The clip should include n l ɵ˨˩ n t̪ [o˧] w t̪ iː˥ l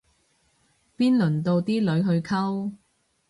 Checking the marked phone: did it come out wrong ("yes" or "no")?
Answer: no